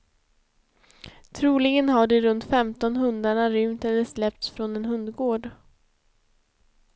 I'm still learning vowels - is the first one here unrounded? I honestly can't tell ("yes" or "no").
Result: no